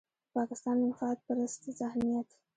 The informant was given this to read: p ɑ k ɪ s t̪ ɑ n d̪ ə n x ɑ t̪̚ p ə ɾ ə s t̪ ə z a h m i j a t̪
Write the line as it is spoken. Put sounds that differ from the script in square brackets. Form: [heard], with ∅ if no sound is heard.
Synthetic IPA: p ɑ k ɪ s t̪ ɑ n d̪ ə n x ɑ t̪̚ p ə ɾ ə s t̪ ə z a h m i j a t̪